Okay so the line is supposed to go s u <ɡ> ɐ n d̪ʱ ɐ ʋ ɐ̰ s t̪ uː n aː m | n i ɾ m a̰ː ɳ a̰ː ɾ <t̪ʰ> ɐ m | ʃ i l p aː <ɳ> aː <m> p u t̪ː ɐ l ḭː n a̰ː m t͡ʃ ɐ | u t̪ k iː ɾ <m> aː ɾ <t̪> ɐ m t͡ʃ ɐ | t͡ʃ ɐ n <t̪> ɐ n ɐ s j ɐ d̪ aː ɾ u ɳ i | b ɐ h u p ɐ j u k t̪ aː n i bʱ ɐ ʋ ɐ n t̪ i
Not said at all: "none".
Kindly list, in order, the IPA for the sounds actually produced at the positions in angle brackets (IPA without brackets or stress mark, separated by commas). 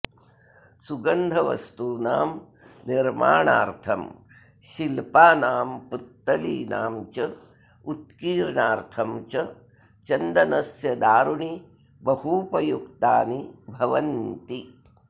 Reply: ɡ, t̪ʰ, n, m, ɳ, t̪ʰ, d̪